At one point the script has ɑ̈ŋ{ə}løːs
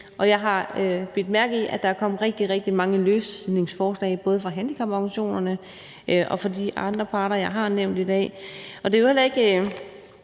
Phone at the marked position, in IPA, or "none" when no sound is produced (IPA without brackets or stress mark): ə